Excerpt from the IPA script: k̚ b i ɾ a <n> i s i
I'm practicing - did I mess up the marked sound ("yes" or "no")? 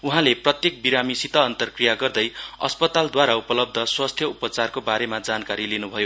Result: yes